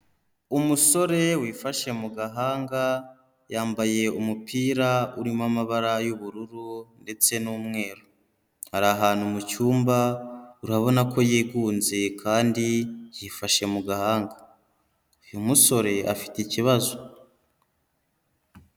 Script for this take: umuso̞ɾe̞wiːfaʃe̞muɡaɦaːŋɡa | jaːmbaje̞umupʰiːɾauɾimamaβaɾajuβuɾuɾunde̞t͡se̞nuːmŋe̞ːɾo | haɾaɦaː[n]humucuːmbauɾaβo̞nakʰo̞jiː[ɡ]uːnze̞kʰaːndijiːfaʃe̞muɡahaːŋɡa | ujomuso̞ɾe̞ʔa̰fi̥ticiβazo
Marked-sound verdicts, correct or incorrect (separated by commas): correct, correct